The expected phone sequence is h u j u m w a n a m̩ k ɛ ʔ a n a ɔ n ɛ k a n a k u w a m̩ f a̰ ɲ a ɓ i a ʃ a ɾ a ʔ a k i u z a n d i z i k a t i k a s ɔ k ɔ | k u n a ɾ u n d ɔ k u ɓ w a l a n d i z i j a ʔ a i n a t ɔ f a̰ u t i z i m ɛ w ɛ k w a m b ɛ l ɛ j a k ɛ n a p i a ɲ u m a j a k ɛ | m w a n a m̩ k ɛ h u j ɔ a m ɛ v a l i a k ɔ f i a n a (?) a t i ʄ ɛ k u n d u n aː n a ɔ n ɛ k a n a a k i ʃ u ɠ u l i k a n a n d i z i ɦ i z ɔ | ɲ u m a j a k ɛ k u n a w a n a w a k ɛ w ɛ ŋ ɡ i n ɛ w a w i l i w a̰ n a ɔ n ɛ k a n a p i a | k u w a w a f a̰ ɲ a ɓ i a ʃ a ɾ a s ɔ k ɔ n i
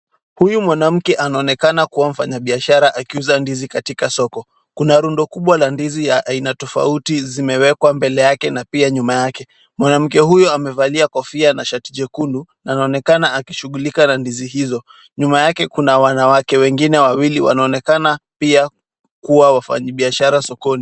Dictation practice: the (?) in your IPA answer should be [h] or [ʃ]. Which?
ʃ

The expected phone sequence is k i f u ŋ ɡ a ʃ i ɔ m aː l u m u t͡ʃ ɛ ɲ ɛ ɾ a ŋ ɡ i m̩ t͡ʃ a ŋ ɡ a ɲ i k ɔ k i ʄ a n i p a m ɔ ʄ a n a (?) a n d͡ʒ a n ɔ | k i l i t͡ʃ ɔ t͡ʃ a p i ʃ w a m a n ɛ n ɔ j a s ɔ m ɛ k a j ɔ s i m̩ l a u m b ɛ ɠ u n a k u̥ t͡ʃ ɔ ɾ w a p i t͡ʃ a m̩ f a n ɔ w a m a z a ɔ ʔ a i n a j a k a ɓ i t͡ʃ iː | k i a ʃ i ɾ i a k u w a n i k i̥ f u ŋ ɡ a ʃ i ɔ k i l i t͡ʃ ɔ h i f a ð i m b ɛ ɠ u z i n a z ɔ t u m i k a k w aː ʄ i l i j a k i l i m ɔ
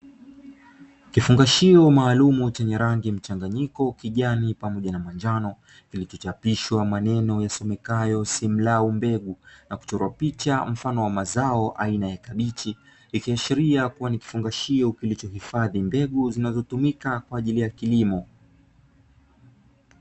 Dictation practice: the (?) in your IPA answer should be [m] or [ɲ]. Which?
m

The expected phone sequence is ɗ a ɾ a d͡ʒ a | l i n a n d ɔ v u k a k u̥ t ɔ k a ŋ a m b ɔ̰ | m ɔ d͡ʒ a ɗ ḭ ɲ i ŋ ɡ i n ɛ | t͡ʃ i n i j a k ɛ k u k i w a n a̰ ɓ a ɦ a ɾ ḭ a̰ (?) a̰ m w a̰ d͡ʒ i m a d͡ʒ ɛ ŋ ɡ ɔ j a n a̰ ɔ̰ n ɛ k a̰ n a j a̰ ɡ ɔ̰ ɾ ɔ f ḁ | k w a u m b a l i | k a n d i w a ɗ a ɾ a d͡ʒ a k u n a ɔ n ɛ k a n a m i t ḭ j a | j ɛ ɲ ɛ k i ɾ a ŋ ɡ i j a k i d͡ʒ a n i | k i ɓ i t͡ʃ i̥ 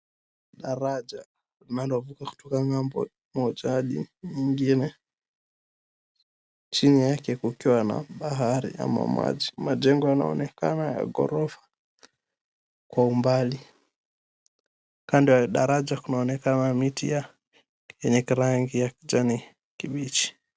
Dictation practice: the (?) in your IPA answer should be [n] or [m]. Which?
m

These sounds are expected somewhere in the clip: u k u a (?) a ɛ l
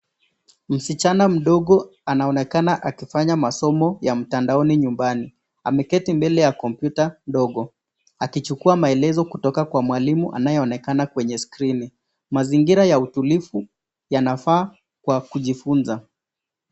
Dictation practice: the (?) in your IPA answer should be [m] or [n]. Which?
m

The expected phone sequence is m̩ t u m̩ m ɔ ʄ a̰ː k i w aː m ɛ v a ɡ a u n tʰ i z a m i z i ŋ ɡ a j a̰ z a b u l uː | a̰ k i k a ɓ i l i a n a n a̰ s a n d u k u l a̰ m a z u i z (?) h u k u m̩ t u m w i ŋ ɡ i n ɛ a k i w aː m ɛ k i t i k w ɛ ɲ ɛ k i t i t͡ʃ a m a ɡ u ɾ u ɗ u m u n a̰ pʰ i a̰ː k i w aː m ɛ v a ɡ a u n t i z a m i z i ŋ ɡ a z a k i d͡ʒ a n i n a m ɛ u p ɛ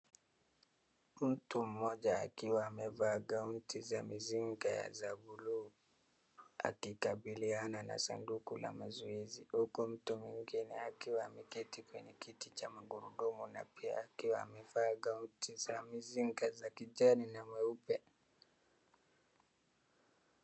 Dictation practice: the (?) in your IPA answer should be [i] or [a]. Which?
i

